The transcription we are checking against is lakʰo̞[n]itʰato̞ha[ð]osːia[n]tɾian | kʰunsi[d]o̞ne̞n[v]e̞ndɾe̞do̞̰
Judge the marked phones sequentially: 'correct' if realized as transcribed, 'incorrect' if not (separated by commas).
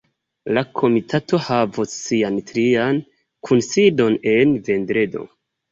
incorrect, incorrect, correct, correct, correct